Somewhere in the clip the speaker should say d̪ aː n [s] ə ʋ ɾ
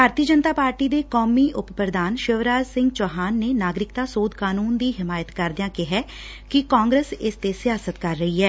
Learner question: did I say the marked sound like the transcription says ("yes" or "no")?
no